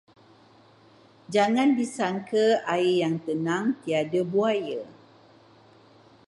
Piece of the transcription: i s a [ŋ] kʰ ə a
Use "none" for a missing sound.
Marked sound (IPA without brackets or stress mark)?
ŋ